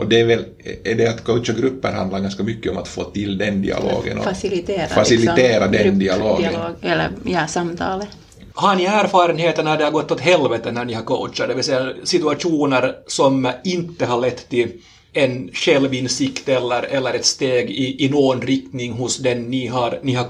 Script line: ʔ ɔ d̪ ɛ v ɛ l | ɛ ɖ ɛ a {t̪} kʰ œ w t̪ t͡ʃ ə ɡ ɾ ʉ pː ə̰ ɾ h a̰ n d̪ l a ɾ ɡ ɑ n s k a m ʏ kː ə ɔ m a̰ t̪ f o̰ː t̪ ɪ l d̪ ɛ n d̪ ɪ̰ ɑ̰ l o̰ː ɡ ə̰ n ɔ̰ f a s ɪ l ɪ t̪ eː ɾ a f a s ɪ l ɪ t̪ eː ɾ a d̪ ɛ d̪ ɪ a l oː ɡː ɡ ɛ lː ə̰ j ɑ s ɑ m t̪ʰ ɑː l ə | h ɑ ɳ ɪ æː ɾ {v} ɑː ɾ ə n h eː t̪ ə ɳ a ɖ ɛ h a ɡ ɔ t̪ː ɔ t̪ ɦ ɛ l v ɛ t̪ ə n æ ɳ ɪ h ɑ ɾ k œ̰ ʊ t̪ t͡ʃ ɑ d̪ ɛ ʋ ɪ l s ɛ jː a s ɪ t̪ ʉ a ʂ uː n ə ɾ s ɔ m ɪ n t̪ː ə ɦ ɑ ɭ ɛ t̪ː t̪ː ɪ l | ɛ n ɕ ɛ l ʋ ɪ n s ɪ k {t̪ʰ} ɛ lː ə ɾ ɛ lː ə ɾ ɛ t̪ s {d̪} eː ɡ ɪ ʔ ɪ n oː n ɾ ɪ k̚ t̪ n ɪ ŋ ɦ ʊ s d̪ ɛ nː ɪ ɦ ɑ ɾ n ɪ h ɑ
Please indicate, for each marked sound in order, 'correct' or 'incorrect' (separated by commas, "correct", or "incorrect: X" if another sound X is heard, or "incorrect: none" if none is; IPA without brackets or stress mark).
correct, incorrect: f, incorrect: t̪, incorrect: t̪